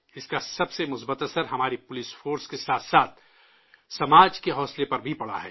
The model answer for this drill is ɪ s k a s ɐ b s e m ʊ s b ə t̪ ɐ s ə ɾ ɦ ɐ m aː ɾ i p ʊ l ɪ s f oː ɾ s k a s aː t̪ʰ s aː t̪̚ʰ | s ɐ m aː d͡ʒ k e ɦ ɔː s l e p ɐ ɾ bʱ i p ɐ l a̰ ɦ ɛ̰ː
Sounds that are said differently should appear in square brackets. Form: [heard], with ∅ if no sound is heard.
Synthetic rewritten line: ɪ s k a s ɐ b s e m ʊ s b ə t̪ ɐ s ə ɾ ɦ ɐ m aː ɾ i p ʊ l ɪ s f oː ɾ s k [e] s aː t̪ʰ s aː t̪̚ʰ | s ɐ m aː d͡ʒ k e ɦ ɔː s l e p ɐ ɾ bʱ i p ɐ [ɽ] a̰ ɦ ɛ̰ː